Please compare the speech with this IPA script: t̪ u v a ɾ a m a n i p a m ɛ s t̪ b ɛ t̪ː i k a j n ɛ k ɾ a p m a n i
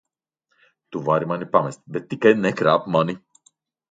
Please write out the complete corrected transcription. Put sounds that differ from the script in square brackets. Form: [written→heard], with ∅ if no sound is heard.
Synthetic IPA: t̪ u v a ɾ [a→i] m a n i p a m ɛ s t̪ b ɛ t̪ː i k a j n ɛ k ɾ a p m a n i